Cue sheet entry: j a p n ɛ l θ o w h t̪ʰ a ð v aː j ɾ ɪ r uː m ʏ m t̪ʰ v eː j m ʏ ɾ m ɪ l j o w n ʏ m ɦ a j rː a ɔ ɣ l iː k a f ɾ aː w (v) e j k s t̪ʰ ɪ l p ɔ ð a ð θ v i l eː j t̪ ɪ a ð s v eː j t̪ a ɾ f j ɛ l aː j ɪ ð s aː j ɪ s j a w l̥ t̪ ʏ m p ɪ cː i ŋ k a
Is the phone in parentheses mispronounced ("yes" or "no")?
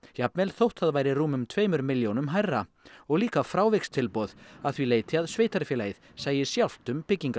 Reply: no